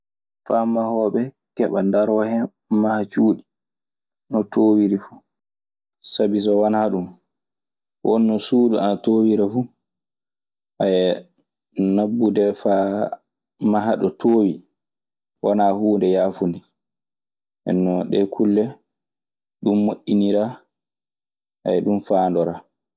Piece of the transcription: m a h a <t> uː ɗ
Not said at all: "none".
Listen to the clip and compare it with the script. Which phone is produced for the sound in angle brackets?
t͡ʃ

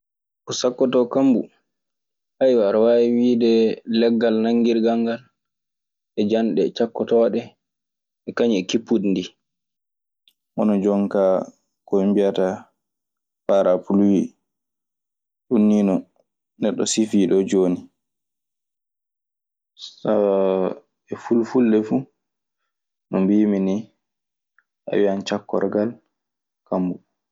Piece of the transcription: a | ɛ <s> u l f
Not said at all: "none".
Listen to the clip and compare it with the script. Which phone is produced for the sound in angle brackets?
f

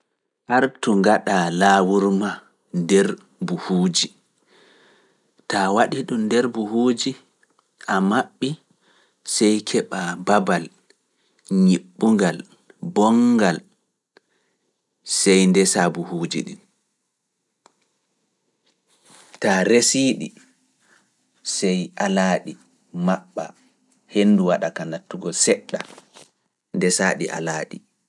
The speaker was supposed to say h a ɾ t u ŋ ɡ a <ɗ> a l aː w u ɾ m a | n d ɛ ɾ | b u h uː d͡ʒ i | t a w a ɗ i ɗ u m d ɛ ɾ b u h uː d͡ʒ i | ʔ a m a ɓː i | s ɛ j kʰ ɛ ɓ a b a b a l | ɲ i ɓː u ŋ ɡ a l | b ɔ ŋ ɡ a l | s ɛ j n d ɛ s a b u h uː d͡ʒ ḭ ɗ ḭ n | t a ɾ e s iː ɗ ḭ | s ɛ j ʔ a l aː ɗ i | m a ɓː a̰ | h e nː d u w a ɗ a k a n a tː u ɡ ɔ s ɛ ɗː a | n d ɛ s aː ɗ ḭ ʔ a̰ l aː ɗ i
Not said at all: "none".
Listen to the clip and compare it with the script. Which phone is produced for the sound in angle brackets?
ɗ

